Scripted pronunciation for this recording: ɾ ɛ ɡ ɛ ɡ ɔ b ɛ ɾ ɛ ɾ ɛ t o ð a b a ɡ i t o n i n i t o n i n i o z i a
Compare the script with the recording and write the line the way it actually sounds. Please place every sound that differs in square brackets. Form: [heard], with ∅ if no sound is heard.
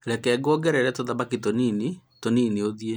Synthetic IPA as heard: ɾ ɛ [k] ɛ ɡ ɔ [ɡ] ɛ ɾ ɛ ɾ ɛ t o ð a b a [k] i t o n i n i t o n i n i o [ð] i [e]

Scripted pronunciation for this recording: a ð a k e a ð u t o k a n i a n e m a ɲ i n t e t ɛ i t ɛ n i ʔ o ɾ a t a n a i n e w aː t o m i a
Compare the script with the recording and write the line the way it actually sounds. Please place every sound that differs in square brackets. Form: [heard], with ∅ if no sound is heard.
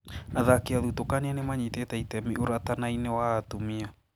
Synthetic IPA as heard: a ð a k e a ð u t o k a n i a n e m a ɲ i [∅] t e t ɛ i t ɛ [m] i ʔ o ɾ a t a n a i n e w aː t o m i a

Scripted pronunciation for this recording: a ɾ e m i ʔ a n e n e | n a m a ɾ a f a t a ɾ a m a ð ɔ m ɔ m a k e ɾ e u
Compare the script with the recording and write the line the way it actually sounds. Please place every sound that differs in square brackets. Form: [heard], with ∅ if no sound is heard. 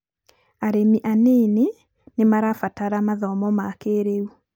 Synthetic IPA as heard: a ɾ e m i ʔ a n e n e | n [e] m a ɾ a f a t a ɾ a m a ð ɔ m ɔ m a k e ɾ e u

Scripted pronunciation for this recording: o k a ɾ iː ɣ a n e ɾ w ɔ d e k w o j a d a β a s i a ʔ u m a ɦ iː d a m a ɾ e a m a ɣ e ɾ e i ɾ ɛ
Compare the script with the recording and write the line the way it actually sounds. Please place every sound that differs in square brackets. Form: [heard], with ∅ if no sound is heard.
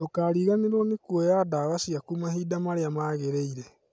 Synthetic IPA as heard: o k a ɾ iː ɣ a n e ɾ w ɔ [n] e k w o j a d a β a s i a [k] u m a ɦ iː d a m a ɾ e a m a ɣ e ɾ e i ɾ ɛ

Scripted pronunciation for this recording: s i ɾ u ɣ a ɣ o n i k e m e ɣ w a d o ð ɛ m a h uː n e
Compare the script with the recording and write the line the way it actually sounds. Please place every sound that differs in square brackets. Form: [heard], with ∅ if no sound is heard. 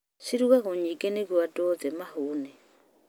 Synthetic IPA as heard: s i ɾ u ɣ a ɣ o [ɲ] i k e [n] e ɣ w a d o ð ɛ m a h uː n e

